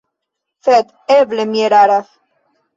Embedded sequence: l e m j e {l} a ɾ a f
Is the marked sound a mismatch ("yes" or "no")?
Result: yes